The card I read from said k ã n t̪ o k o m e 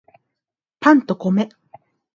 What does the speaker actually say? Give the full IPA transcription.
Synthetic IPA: p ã n t̪ o k o m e